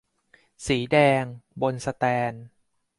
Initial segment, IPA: s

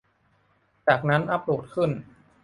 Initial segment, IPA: t͡ɕ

